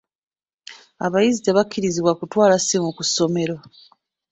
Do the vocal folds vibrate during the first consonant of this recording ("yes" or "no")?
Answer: yes